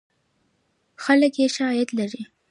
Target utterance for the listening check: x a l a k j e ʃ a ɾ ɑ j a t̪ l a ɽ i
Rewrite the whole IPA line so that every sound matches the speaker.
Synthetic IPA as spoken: x a l ə k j e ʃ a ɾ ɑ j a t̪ l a ɾ i